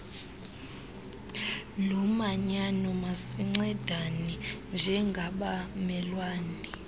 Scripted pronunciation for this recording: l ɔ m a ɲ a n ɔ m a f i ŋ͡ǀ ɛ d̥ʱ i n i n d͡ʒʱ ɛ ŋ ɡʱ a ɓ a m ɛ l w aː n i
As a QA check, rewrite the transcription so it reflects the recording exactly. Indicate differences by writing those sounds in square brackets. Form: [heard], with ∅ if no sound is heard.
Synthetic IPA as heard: l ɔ m a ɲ a n ɔ m a [s] i ŋ͡ǀ ɛ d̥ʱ [a] n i n d͡ʒʱ ɛ ŋ ɡʱ a ɓ a m ɛ l w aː n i